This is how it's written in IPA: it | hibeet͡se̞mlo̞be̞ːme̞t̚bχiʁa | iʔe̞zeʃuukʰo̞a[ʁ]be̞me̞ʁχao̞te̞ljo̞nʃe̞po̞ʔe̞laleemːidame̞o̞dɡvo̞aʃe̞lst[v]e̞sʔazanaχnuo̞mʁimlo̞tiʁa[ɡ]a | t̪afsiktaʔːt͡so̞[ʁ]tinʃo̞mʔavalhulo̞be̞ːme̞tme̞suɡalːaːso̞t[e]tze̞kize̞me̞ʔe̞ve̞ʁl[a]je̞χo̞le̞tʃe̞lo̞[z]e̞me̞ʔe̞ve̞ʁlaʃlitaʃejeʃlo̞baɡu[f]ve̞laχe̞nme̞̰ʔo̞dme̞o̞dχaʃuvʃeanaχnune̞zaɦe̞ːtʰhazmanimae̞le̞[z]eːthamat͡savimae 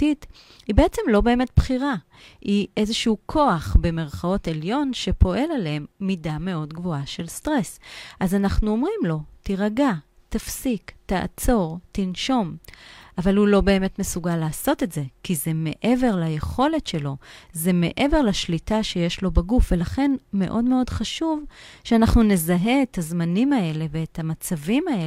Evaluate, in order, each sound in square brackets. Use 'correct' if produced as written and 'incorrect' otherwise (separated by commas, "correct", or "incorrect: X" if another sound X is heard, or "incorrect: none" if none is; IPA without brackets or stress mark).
incorrect: χ, incorrect: ʁ, correct, correct, correct, correct, correct, correct, incorrect: v